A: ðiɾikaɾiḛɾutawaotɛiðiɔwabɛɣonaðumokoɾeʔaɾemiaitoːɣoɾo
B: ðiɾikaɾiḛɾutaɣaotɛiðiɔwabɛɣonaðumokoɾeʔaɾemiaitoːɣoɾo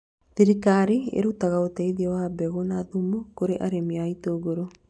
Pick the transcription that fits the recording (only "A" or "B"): B